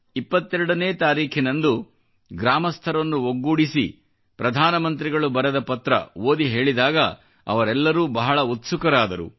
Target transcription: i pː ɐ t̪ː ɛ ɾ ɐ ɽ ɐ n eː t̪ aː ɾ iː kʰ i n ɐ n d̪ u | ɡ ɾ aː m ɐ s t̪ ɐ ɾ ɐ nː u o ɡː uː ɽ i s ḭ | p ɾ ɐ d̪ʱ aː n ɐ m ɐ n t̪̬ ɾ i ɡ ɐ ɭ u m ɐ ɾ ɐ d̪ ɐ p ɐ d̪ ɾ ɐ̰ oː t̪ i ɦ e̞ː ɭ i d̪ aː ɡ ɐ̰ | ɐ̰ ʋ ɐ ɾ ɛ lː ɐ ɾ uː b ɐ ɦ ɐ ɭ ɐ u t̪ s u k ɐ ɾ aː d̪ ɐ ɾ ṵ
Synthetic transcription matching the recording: i pː ɐ t̪ː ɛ ɾ ɐ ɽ ɐ n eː t̪ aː ɾ iː kʰ i n ɐ n d̪ u | ɡ ɾ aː m ɐ s t̪ʰ ɐ ɾ ɐ nː u o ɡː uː ɽ i s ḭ | p ɾ ɐ d̪ʱ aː n ɐ m ɐ n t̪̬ ɾ i ɡ ɐ ɭ u b ɐ ɾ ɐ d̪ ɐ p ɐ t̪ ɾ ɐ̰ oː d̪ i ɦ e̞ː ɭ i d̪ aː ɡ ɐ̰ | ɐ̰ ʋ ɐ ɾ ɛ lː ɐ ɾ uː b ɐ ɦ ɐ ɭ ɐ u t̪ s u k ɐ ɾ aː d̪ ɐ ɾ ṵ